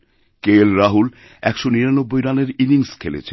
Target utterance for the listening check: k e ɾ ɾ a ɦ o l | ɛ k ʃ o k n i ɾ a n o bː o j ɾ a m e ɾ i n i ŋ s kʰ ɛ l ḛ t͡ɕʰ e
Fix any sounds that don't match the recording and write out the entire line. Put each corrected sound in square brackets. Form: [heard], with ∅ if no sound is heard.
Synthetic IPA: k e [l] ɾ a ɦ [u] l | ɛ k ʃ o [∅] n i ɾ a n o bː o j ɾ a [n] e ɾ i n i ŋ s kʰ [e] l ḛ t͡ɕʰ e